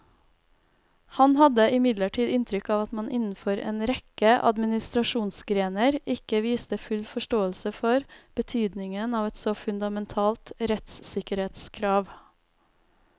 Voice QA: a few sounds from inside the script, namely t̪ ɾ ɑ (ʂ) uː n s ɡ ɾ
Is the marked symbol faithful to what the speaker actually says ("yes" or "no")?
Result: no